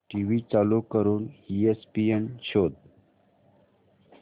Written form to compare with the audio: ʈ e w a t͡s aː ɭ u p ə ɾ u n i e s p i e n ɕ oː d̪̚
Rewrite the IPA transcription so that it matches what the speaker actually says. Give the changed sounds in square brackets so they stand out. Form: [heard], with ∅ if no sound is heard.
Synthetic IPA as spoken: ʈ [i] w [i] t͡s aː [l] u [k] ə ɾ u n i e s p i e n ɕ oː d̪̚